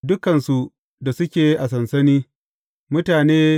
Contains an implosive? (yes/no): no